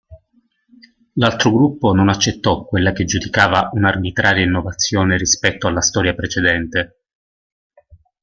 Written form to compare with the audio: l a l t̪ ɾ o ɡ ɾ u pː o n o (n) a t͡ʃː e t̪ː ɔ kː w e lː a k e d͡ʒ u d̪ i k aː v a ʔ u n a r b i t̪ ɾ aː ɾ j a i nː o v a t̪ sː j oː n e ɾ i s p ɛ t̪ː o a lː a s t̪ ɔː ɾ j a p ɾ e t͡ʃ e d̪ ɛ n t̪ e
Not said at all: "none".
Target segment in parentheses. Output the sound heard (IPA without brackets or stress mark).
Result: n